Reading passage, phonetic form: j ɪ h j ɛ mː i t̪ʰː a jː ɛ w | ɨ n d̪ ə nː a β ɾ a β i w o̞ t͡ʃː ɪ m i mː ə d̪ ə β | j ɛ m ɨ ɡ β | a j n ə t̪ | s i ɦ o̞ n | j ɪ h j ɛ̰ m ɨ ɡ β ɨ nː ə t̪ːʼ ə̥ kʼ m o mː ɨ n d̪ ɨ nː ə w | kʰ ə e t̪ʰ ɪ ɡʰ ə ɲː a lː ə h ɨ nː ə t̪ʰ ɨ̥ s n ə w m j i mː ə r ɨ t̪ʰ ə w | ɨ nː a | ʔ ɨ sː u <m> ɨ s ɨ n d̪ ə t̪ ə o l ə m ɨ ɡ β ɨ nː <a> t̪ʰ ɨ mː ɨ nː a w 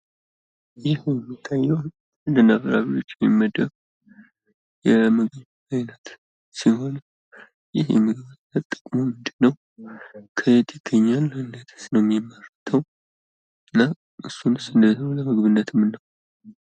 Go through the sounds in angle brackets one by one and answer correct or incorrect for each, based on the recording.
incorrect, incorrect

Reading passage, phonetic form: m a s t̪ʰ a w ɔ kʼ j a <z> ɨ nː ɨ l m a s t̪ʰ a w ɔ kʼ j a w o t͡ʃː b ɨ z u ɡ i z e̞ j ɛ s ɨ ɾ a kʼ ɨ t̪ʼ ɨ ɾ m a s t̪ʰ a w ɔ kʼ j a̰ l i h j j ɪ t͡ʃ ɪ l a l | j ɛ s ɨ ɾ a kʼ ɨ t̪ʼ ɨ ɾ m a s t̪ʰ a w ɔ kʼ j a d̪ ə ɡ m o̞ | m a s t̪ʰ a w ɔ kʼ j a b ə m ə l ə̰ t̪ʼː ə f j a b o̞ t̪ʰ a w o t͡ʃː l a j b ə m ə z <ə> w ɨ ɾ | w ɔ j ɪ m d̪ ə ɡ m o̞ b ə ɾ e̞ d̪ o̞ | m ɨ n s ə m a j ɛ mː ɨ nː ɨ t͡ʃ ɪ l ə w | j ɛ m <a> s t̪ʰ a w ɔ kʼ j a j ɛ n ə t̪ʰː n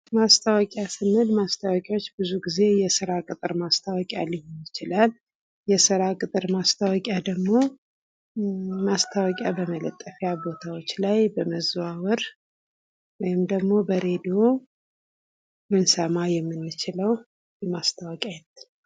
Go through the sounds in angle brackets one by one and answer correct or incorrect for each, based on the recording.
incorrect, incorrect, correct

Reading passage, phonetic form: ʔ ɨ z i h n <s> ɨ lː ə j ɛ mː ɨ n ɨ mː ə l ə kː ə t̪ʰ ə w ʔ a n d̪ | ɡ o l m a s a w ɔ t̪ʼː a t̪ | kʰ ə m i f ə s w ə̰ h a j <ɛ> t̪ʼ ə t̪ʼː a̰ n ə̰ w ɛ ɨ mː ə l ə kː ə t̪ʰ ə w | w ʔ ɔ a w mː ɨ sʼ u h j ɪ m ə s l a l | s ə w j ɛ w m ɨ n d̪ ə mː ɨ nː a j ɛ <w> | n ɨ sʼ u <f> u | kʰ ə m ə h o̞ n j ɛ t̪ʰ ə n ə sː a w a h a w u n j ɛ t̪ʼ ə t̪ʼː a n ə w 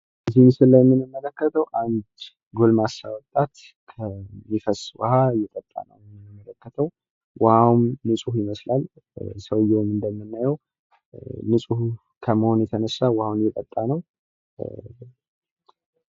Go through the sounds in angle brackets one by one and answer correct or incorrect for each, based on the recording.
correct, correct, correct, incorrect

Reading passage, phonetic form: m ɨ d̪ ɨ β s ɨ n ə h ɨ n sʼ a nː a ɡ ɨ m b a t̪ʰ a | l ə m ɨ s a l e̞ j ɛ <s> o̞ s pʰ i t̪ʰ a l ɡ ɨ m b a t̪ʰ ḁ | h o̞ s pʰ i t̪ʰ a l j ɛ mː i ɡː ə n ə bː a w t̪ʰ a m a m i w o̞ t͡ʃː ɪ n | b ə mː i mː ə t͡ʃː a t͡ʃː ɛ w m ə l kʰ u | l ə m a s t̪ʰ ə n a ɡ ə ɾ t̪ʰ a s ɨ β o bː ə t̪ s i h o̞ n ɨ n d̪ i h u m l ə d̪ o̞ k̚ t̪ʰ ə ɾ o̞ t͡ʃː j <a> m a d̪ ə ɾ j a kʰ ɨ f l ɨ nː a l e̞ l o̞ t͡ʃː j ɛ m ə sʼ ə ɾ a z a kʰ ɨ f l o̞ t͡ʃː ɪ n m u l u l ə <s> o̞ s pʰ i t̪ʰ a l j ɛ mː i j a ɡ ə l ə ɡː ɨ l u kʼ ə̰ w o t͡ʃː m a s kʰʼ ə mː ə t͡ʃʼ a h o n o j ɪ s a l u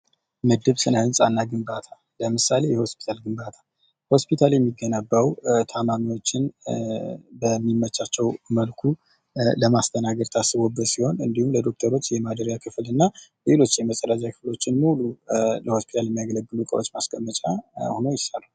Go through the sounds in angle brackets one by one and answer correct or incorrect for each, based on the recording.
incorrect, incorrect, incorrect

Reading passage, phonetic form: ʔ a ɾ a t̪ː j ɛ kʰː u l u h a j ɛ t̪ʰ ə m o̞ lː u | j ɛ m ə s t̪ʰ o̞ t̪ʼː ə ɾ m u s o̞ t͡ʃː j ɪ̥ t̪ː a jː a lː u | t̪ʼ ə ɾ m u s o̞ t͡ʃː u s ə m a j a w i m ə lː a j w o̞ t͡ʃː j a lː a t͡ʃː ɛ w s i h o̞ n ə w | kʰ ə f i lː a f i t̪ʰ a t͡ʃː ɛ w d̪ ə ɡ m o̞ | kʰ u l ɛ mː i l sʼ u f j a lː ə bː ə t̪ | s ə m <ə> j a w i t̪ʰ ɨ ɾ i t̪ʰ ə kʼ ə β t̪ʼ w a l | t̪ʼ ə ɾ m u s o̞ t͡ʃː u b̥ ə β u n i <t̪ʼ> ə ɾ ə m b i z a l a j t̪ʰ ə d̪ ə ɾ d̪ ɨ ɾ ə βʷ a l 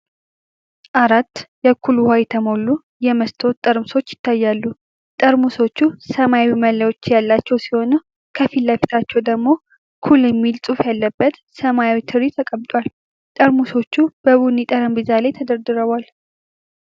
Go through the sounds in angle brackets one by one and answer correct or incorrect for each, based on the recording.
incorrect, correct

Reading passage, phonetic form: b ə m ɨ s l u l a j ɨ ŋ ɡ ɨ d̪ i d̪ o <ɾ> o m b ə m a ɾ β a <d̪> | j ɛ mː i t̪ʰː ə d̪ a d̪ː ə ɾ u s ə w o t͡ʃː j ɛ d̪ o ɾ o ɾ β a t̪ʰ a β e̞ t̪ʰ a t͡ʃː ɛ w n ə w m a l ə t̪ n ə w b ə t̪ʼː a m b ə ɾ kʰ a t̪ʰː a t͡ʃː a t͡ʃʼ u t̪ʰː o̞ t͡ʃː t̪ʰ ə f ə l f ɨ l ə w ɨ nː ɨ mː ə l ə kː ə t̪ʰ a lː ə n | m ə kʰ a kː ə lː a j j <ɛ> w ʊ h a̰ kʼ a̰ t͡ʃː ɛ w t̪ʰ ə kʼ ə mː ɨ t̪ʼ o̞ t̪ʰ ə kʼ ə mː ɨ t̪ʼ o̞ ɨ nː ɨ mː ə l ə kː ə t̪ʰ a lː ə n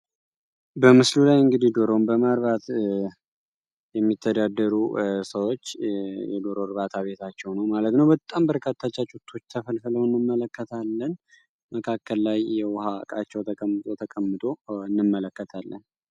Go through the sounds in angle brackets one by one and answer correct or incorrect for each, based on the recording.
correct, incorrect, correct

